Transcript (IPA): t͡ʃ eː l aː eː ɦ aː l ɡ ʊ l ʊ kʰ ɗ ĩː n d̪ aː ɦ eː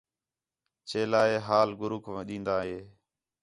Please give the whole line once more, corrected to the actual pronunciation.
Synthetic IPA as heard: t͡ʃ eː l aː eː ɦ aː l ɡ ʊ ɾ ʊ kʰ ɗ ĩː n d̪ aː ɦ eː